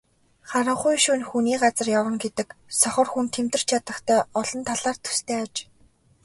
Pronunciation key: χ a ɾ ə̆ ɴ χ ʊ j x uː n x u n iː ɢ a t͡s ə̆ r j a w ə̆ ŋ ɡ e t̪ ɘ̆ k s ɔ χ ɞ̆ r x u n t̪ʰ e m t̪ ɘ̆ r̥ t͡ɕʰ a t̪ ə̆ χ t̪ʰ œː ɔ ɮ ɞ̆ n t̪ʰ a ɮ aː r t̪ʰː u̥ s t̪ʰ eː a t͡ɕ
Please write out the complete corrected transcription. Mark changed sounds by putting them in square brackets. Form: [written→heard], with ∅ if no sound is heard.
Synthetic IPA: χ a ɾ ə̆ ɴ χ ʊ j [x→ʃ] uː n x u n iː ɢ a t͡s ə̆ r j a w ə̆ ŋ ɡ e t̪ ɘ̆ k s ɔ χ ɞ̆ r x u n t̪ʰ e m t̪ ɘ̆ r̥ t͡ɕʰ a t̪ ə̆ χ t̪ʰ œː ɔ ɮ ɞ̆ n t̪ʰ a ɮ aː r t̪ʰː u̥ s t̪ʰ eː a t͡ɕ